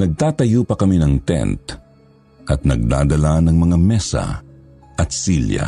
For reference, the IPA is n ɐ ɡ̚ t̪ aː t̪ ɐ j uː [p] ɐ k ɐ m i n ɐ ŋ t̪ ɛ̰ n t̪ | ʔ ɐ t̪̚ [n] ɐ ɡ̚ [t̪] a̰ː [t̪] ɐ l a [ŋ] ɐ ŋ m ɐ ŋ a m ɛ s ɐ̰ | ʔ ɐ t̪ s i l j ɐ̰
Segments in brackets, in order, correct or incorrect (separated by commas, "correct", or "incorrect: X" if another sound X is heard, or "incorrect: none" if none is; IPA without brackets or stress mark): correct, correct, incorrect: d̪, incorrect: d̪, incorrect: n